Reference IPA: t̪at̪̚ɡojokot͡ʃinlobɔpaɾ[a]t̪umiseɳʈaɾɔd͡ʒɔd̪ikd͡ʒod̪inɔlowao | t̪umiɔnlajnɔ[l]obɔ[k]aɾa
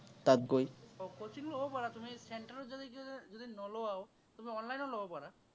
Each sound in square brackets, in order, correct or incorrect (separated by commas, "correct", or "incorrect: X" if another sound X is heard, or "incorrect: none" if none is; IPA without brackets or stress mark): correct, correct, incorrect: p